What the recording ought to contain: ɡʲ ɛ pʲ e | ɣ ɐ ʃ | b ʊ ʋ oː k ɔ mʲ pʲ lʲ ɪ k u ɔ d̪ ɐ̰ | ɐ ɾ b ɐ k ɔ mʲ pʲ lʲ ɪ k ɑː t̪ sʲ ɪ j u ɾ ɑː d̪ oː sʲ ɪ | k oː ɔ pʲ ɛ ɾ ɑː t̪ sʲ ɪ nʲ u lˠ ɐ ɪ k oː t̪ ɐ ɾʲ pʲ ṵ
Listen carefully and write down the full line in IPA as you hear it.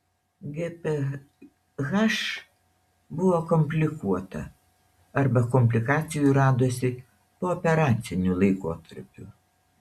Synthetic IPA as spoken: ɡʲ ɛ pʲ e | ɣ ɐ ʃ | b ʊ ʋ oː k ɔ mʲ pʲ lʲ ɪ k u ɔ t̪ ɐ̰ | ɐ ɾ b ɐ k ɔ mʲ pʲ lʲ ɪ k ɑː t̪ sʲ ɪ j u ɾ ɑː d̪ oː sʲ ɪ | p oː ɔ pʲ ɛ ɾ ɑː t̪ sʲ ɪ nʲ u lˠ ɐ ɪ k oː t̪ ɐ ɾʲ pʲ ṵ

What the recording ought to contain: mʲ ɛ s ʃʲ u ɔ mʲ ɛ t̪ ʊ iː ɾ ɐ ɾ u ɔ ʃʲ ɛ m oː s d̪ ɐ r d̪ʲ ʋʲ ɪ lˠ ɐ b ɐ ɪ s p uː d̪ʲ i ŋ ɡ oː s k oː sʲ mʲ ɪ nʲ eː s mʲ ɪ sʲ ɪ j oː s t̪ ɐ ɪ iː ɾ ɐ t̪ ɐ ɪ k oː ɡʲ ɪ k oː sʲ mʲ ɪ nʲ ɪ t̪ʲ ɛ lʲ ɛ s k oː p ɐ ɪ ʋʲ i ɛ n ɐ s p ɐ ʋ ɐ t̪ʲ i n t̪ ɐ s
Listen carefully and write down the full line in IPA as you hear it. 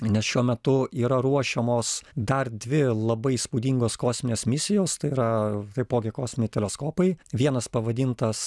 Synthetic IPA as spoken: nʲ ɛ s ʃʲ u ɔ mʲ ɛ t̪ ʊ iː ɾ ɐ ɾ u ɔ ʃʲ ɛ m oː s d̪ ɐ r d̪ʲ ʋʲ ɪ lˠ ɐ b ɐ ɪ s p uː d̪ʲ i ŋ ɡ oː s k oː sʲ mʲ ɪ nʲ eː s mʲ ɪ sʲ ɪ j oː s t̪ ɐ ɪ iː ɾ ɐ t̪ ɐ ɪ p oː ɡʲ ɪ k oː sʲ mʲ ɪ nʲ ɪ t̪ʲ ɛ lʲ ɛ s k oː p ɐ ɪ ʋʲ i ɛ n ɐ s p ɐ ʋ ɐ d̪ʲ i n t̪ ɐ s

